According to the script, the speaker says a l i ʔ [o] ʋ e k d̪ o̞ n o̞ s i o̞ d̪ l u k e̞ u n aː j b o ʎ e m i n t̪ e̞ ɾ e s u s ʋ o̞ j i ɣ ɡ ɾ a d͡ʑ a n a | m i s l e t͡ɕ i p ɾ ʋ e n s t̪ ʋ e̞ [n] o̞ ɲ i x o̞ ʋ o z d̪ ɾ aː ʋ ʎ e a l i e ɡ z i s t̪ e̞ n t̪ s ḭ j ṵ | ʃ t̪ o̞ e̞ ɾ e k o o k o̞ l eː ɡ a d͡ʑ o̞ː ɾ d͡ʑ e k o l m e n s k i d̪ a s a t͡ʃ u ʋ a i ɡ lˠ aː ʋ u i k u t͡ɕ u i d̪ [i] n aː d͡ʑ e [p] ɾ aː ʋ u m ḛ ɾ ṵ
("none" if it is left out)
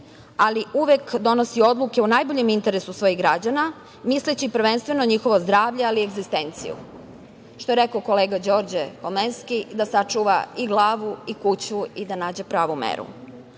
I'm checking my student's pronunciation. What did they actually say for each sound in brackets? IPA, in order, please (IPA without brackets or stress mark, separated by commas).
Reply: u, n, a, p